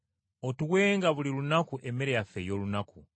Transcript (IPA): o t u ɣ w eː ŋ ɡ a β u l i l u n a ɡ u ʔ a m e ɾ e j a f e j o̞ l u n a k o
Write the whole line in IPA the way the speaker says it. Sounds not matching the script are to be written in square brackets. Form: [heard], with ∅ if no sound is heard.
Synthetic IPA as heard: o t u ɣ w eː ŋ ɡ a β u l i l u n a [k] u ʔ [e] m e ɾ e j a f e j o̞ l u n a k [u]